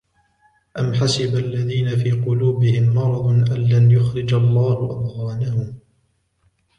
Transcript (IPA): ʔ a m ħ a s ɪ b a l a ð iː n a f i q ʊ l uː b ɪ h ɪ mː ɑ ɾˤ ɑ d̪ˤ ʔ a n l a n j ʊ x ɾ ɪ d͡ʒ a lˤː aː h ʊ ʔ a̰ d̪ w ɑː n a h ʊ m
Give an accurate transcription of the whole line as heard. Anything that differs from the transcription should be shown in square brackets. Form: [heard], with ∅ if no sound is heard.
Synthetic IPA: ʔ a m ħ a s ɪ b a [lː] a ð iː n a f [iː] q ʊ l uː b ɪ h ɪ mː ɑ ɾˤ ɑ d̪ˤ ʔ a n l a n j ʊ x ɾ ɪ d͡ʒ a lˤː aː h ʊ ʔ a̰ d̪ [ɣ] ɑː n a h ʊ m